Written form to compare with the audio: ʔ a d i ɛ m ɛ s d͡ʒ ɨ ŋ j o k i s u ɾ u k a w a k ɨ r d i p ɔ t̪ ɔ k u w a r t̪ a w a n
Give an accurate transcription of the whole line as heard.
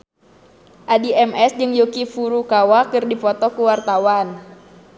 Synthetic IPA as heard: ʔ a d i ɛ m ɛ s d͡ʒ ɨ ŋ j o k i f u ɾ u k a w a k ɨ r d i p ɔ t̪ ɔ k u w a r t̪ a w a n